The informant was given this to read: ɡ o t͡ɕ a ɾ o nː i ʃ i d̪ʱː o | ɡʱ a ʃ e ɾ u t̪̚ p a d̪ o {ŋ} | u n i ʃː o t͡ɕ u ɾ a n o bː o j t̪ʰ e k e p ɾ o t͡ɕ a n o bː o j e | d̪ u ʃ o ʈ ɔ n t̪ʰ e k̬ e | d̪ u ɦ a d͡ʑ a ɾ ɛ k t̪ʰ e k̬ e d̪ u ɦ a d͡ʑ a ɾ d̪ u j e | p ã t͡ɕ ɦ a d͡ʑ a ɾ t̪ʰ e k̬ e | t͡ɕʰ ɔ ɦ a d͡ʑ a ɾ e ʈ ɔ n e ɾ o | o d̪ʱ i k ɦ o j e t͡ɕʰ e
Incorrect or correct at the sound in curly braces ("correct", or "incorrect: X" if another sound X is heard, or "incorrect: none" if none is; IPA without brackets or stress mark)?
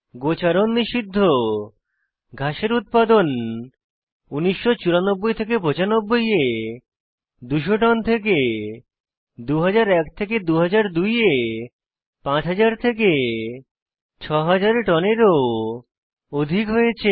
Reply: incorrect: n